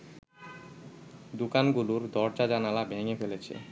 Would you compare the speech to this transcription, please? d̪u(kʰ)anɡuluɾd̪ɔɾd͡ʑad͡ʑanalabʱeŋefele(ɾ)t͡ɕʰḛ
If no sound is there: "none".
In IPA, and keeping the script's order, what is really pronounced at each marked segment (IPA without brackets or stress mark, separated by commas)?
k, none